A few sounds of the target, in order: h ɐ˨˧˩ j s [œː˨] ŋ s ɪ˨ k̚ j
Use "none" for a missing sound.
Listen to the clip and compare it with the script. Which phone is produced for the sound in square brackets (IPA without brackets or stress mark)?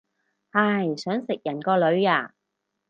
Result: œː˨˥